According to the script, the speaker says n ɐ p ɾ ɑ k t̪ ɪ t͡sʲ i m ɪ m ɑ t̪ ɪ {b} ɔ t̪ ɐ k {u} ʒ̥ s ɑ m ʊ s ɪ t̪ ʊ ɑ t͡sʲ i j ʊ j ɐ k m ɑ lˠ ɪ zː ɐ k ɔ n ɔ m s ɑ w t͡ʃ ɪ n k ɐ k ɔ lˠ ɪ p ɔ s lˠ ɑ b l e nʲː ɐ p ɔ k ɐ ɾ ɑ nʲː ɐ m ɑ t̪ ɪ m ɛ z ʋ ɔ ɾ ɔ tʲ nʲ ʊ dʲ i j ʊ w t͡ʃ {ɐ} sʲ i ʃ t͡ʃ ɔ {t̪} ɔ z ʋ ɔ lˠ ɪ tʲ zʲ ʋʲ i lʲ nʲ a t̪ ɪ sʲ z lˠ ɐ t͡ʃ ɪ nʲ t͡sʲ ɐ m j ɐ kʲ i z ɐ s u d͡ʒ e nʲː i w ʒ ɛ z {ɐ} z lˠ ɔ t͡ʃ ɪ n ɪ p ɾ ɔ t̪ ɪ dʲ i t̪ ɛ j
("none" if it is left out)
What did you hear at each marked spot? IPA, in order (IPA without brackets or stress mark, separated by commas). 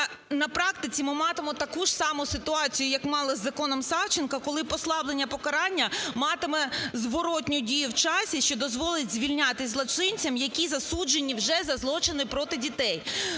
m, u, ɑ, d̪, ɐ